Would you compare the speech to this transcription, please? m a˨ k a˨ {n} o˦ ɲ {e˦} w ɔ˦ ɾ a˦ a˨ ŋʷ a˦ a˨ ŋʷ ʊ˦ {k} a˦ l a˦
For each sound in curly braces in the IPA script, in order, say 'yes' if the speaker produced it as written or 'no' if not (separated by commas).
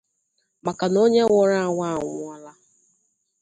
yes, yes, no